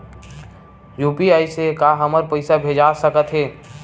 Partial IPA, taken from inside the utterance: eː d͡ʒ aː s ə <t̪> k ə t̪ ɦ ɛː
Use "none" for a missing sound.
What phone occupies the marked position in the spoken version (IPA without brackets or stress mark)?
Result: none